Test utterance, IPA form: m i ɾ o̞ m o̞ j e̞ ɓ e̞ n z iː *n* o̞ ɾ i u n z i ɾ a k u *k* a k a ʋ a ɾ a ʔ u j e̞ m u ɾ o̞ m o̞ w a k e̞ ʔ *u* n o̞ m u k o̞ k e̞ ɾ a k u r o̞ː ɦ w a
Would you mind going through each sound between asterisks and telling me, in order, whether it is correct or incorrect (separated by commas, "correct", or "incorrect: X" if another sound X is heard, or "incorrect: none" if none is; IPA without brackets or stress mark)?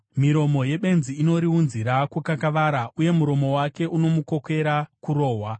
correct, correct, correct